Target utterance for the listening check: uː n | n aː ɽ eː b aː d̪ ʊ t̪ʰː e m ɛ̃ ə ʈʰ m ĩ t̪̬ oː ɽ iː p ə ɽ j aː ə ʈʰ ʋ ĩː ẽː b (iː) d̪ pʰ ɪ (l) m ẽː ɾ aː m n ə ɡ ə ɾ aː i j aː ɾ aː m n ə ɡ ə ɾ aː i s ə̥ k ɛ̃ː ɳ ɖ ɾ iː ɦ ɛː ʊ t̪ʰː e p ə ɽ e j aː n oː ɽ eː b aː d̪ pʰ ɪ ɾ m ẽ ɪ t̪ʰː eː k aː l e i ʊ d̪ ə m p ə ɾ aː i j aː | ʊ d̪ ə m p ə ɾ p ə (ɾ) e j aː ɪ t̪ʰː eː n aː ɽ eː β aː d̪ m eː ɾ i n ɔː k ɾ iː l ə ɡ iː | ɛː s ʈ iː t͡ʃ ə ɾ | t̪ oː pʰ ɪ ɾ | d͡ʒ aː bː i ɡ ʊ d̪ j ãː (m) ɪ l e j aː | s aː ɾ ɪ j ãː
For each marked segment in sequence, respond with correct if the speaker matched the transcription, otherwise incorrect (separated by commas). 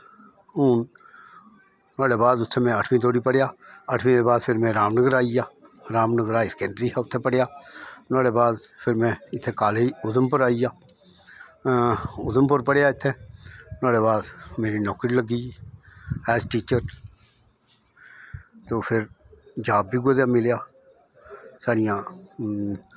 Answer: incorrect, incorrect, incorrect, correct